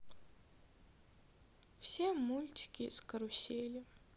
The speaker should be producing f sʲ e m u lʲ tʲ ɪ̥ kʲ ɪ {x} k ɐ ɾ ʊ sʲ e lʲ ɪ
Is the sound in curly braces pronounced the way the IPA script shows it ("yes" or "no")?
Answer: no